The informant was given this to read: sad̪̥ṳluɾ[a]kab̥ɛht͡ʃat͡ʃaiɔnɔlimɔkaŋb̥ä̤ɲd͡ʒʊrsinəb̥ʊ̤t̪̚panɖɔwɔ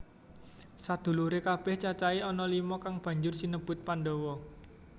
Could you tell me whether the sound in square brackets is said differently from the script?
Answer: yes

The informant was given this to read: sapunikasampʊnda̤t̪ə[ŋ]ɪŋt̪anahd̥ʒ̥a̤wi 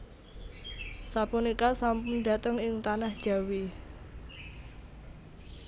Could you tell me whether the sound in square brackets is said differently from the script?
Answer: no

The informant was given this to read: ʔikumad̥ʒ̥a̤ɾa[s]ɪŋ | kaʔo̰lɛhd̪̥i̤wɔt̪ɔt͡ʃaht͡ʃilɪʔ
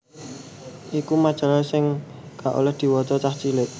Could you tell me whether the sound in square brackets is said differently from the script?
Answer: no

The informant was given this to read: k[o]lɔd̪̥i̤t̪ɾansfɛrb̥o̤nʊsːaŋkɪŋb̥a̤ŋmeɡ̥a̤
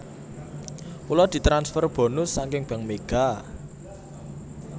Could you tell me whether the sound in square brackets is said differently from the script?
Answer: yes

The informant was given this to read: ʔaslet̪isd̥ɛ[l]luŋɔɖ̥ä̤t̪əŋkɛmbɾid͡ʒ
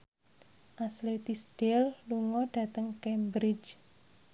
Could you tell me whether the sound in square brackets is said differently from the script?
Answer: no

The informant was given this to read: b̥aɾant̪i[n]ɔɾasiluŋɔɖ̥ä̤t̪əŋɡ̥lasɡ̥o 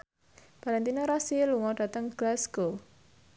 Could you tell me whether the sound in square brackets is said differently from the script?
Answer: no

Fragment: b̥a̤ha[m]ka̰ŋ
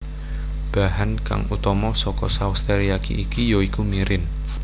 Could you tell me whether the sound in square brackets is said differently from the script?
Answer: yes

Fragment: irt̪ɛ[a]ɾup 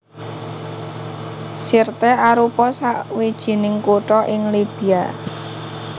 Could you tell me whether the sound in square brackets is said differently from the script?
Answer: no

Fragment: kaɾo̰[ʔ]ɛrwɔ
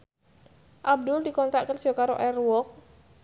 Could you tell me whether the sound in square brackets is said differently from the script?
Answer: no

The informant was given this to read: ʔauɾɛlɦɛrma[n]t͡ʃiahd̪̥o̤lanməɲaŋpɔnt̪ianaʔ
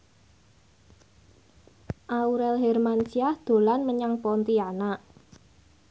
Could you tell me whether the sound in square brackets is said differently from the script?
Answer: no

